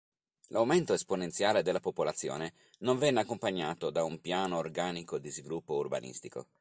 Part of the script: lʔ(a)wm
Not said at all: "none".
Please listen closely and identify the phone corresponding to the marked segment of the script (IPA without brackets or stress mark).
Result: a